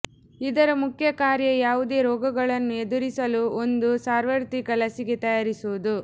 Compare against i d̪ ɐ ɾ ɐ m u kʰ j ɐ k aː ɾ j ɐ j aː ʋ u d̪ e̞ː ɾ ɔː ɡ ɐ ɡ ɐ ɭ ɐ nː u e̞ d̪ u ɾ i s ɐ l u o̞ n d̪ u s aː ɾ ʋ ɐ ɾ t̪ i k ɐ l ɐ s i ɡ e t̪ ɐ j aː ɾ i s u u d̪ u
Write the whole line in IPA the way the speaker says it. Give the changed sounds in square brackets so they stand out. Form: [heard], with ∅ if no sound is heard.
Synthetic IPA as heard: i d̪ ɐ ɾ ɐ m u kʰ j ɐ k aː ɾ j ɐ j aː ʋ u d̪ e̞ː ɾ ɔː ɡ ɐ ɡ ɐ ɭ ɐ nː u e̞ d̪ u ɾ i s ɐ l u o̞ n d̪ u s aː ɾ ʋ ɐ ɾ t̪ i k ɐ l ɐ s i ɡ e t̪ ɐ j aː ɾ i s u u d̪ u